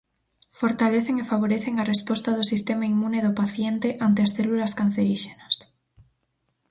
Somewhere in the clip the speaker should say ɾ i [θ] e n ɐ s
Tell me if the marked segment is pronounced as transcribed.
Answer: no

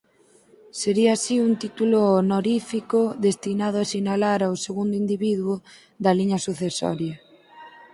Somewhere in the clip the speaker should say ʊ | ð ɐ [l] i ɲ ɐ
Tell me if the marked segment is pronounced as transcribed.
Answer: yes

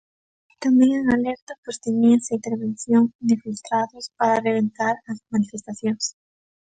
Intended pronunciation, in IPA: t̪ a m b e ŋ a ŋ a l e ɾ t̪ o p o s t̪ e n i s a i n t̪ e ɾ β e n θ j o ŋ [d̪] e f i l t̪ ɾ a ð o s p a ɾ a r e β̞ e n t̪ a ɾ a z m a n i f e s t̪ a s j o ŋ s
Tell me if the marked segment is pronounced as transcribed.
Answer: yes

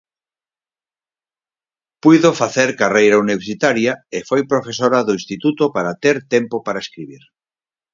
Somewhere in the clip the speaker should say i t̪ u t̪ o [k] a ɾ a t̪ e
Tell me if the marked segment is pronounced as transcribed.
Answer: no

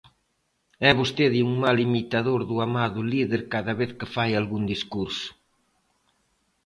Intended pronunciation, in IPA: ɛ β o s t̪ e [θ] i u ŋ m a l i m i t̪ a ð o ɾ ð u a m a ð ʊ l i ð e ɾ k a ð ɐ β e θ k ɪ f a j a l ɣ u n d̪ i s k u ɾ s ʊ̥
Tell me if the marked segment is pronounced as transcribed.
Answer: no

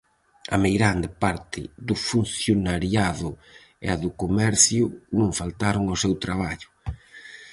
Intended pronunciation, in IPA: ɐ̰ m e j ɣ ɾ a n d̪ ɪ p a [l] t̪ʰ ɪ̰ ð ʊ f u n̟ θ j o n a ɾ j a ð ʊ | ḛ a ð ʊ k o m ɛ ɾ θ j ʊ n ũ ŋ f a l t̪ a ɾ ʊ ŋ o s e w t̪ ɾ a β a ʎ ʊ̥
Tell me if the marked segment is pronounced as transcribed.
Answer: no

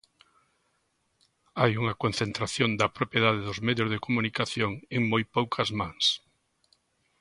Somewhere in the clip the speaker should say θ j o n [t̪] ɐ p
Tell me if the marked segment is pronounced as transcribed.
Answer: no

